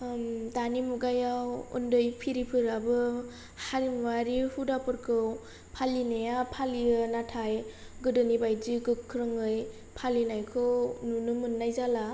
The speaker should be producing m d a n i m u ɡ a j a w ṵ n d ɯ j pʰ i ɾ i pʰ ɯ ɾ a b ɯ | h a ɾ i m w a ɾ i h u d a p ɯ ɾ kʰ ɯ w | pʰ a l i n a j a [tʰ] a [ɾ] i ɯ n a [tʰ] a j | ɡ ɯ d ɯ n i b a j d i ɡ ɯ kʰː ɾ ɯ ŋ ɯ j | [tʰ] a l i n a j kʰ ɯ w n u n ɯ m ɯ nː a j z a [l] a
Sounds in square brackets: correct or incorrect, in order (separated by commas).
incorrect, incorrect, correct, incorrect, correct